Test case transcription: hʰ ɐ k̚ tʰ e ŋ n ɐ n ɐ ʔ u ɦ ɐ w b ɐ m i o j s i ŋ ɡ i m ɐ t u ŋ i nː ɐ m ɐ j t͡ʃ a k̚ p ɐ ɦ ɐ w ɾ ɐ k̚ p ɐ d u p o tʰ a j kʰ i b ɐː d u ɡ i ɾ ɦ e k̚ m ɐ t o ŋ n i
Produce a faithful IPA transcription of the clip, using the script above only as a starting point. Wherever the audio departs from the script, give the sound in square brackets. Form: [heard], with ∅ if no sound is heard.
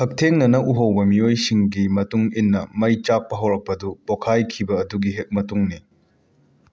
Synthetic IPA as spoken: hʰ ɐ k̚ tʰ e ŋ n ɐ n ɐ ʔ u ɦ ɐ w b ɐ m i o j s i ŋ ɡ i m ɐ t u ŋ i nː ɐ m ɐ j t͡ʃ a k̚ p ɐ ɦ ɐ w ɾ ɐ k̚ p ɐ d u p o [kʰ] a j kʰ i b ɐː d u ɡ i [∅] ɦ e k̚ m ɐ t [u] ŋ n i